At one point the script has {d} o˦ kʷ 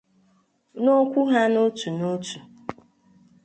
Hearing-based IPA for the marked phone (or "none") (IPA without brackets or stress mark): n